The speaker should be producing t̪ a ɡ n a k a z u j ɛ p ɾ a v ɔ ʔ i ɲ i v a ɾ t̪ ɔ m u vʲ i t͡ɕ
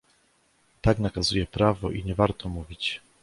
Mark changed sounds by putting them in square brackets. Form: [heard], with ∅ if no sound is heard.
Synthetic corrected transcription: t̪ a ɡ n a k a z u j ɛ p ɾ a v ɔ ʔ i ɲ [ɛ] v a ɾ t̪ ɔ m u vʲ i t͡ɕ